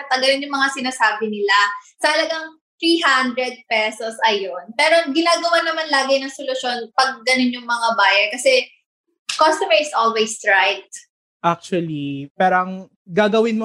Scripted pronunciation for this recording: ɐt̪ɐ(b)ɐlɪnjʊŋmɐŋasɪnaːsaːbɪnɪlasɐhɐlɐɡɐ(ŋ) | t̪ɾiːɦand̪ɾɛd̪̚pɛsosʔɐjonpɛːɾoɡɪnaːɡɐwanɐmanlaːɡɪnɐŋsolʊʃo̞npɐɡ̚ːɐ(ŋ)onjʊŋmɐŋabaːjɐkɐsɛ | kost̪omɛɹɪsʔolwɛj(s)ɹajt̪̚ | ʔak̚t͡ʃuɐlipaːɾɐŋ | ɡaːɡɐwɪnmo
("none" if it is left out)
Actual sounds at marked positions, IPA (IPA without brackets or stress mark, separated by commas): ɡ, ŋ, n, s